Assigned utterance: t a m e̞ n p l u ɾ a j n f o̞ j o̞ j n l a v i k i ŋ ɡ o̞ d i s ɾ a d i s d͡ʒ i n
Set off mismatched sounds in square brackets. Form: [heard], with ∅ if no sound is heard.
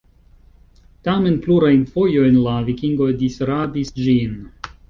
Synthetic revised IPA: t a m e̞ n p l u ɾ a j n f o̞ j o̞ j n l a v i k i ŋ ɡ o̞ d i s ɾ a d i s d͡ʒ i n